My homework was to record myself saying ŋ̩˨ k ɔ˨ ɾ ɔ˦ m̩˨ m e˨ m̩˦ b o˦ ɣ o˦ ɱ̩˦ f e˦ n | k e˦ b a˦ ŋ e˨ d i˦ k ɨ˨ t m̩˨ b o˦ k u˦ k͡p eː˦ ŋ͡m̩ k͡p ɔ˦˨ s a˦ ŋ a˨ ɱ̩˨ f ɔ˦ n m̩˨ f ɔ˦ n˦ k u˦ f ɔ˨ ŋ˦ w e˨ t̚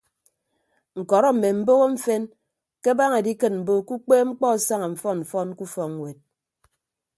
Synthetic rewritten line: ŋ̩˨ k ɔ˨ ɾ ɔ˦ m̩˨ m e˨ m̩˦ b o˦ ɣ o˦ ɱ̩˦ f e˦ n | k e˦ b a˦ ŋ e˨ d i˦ k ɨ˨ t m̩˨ b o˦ k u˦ k͡p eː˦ ŋ͡m̩ k͡p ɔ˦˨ s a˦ ŋ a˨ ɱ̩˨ f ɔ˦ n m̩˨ f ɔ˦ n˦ k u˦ f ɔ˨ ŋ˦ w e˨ t̚